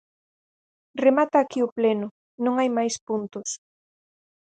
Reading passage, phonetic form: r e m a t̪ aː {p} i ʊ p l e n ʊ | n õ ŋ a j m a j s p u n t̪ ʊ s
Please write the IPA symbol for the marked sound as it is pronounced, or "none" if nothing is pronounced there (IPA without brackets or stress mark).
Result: k